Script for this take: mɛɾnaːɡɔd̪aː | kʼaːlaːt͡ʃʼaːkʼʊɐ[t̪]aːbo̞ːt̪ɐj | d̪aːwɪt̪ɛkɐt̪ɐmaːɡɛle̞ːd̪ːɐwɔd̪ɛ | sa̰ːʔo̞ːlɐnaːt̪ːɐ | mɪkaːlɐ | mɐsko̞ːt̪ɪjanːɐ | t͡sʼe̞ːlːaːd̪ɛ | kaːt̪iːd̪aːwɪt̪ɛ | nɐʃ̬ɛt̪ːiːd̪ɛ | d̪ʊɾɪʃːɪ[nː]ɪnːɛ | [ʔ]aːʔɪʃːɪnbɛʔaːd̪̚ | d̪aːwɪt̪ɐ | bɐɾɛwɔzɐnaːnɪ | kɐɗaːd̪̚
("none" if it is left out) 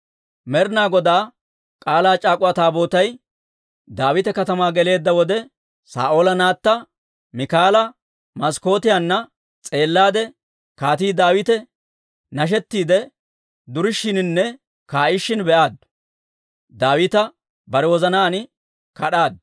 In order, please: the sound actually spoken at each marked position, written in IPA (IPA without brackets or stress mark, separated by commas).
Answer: t̪, n, k